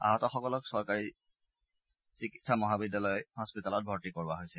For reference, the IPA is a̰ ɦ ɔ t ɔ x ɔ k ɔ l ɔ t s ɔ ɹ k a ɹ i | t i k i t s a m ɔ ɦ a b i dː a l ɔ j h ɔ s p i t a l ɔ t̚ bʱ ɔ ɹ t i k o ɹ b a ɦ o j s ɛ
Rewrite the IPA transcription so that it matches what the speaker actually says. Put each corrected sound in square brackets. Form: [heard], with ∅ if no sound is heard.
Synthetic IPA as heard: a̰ ɦ ɔ t ɔ x ɔ k ɔ l ɔ [k] s ɔ ɹ k a ɹ i | [s] i k i t s a m ɔ ɦ a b i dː a l ɔ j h ɔ s p i t a l ɔ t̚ bʱ ɔ ɹ t i k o ɹ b a ɦ o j s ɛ